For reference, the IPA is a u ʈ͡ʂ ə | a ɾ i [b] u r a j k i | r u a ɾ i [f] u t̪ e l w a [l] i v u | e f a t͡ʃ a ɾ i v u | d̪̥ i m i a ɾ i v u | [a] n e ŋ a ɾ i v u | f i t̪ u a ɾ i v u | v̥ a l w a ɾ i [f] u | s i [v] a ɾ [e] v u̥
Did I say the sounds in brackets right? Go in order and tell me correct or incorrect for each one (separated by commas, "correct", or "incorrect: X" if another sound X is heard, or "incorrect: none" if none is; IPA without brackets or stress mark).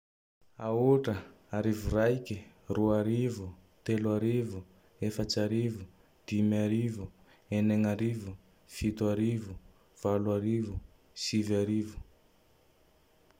incorrect: v, incorrect: v, incorrect: ɾ, incorrect: e, incorrect: v, correct, incorrect: i